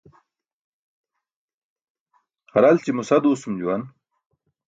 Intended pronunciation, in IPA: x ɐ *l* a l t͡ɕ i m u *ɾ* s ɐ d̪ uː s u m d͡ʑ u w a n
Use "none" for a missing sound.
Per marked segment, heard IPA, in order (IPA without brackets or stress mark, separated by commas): ɾ, none